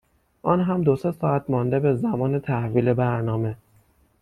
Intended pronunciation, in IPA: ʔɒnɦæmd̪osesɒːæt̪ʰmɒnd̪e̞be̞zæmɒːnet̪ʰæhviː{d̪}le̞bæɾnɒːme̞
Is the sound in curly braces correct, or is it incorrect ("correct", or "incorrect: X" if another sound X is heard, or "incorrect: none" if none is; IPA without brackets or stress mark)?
incorrect: none